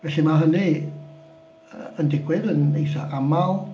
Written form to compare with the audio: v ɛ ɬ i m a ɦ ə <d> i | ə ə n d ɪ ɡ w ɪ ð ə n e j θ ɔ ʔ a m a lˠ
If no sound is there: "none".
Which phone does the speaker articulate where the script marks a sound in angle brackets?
n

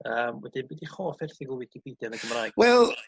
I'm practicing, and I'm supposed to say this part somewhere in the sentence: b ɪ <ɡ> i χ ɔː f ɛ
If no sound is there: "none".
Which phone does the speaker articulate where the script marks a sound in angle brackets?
d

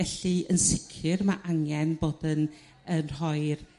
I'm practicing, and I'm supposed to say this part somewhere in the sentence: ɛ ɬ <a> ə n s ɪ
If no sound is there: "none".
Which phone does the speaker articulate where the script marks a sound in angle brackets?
i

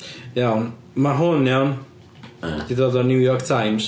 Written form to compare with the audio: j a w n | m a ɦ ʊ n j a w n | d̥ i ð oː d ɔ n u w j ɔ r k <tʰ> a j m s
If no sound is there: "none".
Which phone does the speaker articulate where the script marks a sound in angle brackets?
tʰ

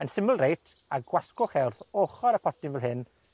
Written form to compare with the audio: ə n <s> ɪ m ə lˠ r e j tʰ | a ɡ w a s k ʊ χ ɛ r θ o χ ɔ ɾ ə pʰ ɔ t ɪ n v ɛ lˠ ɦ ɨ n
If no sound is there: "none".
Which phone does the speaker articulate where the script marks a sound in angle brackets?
s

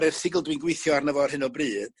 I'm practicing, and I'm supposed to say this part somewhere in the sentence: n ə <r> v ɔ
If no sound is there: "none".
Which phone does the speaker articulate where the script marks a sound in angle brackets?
none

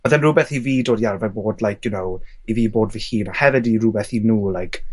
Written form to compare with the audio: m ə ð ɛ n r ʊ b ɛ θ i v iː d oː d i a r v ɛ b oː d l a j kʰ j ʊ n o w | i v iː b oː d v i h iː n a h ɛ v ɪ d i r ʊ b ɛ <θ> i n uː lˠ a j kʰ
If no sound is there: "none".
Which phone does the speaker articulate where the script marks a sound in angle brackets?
θ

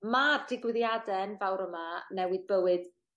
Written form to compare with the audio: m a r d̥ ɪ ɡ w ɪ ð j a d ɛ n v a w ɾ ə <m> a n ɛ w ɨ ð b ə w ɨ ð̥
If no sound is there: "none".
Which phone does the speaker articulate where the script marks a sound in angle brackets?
m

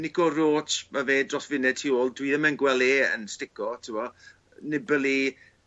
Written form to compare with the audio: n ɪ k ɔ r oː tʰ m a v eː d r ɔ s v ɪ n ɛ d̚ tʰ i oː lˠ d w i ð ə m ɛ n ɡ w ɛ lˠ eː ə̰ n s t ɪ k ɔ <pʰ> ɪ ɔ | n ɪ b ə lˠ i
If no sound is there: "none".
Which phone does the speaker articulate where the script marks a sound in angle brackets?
tʰ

